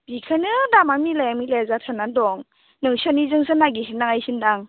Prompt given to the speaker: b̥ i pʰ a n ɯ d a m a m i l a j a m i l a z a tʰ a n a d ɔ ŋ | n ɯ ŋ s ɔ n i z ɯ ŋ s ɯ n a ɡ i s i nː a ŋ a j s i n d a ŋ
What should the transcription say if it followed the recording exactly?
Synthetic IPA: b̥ i kʰ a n ɯ d a m a m i l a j a m i l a z a tʰ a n a d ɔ ŋ | n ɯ ŋ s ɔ n i z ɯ ŋ s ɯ n a ɡ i s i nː a ŋ a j s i n d a ŋ